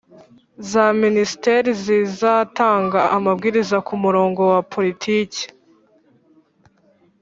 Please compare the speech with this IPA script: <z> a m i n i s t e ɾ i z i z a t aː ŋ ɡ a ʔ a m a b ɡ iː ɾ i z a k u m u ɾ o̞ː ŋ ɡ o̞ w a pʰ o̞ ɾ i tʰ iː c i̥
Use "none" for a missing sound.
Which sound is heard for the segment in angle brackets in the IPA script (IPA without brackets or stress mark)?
z